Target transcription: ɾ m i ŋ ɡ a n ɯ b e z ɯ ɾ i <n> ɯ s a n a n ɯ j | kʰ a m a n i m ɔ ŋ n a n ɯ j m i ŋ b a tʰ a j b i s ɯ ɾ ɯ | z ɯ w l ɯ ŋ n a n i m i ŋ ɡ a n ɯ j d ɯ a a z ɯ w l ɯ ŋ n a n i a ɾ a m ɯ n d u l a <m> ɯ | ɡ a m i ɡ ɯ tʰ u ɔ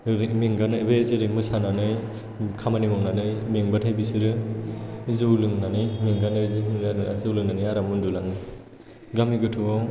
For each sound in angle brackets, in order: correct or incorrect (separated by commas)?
incorrect, incorrect